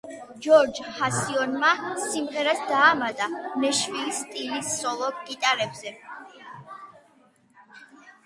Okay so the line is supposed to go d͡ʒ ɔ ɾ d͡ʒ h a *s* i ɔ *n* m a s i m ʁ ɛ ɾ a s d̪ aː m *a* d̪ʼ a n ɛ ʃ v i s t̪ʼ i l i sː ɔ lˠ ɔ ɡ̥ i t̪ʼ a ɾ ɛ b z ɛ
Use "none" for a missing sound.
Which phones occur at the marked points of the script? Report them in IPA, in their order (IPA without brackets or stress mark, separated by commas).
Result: s, n, a